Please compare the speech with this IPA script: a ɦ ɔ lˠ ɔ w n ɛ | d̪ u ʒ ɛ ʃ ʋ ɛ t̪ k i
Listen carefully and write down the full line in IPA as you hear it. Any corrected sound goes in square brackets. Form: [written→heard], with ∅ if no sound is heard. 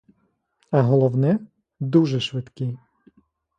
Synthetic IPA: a ɦ ɔ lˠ ɔ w n ɛ | d̪ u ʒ ɛ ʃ ʋ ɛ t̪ k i